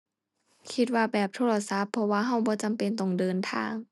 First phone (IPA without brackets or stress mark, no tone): kʰ